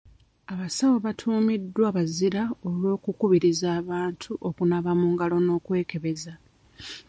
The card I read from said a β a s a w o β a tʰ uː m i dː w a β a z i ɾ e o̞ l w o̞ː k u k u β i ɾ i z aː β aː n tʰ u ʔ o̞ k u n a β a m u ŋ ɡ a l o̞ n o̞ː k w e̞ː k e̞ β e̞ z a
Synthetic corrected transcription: a β a s a w o β a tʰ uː m i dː w a β a z i ɾ a o̞ l w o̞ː k u k u β i ɾ i z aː β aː n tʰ u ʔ o̞ k u n a β a m u ŋ ɡ a l o̞ n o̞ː k w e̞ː k e̞ β e̞ z a